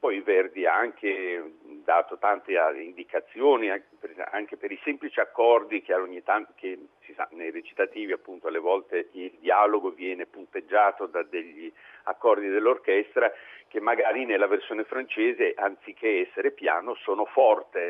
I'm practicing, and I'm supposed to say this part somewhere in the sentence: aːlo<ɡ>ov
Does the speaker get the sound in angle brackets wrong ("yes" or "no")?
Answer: no